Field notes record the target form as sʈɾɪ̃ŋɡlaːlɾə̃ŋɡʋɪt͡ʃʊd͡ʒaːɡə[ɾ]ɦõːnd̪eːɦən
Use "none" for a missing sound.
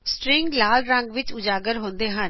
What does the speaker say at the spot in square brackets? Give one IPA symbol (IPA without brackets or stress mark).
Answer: ɾ